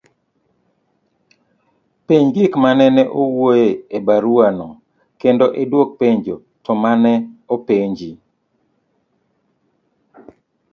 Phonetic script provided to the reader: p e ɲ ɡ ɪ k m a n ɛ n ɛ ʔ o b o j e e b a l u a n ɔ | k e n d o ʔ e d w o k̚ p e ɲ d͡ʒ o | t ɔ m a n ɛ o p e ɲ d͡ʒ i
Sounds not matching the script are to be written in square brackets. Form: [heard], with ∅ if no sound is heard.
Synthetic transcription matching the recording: p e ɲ ɡ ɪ k m a n ɛ n ɛ ʔ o [w] o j e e b a [ɾ] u a n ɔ | k e n d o ʔ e d w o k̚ p e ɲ d͡ʒ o | t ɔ m a n ɛ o p e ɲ d͡ʒ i